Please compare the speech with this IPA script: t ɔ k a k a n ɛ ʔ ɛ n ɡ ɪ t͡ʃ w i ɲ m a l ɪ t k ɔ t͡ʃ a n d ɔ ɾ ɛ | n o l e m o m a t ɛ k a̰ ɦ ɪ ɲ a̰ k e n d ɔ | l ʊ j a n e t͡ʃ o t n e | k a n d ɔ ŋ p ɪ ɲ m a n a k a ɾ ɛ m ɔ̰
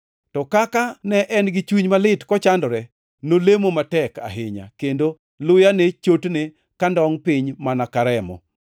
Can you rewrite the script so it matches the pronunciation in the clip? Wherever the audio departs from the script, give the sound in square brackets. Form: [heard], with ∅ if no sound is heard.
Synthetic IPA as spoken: t ɔ k a k a n ɛ ʔ ɛ n ɡ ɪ t͡ʃ w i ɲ m a l ɪ t k ɔ t͡ʃ a n d ɔ ɾ ɛ | n o l e m o m a t ɛ k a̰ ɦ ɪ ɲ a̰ k e n d [o] | l ʊ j a n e t͡ʃ o t n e | k a n d ɔ ŋ p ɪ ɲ m a n a k a ɾ ɛ m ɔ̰